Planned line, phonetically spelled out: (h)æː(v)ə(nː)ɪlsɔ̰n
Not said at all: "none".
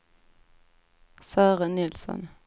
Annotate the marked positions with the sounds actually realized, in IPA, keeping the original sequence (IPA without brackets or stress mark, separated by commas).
s, ʁ, n